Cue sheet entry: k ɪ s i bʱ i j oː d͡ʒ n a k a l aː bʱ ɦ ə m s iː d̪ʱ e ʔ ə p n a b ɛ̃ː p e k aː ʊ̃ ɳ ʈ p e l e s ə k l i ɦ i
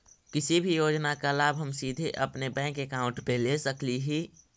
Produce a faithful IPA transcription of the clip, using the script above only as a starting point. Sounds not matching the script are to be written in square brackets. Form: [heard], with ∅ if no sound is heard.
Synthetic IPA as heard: k ɪ s i bʱ i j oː d͡ʒ n a k a l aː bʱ ɦ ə m s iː d̪ʱ e ʔ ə p n [e] b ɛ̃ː [k] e k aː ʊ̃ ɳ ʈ p e l e s ə k l i ɦ i